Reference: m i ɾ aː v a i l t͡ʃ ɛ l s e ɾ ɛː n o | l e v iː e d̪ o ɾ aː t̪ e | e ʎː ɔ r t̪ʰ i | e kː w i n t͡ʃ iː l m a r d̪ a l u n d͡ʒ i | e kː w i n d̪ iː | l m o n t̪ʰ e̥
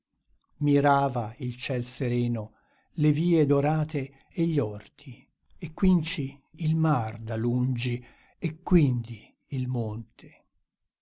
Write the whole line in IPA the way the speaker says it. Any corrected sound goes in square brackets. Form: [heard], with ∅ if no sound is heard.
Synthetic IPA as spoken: m i ɾ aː v a i l t͡ʃ ɛ l s e ɾ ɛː n o | l e v iː e d̪ o ɾ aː t̪ e | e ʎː ɔ r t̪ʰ i | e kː w i n t͡ʃ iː l m a r d̪ a l u n d͡ʒ i | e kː w i n d̪ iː | l m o n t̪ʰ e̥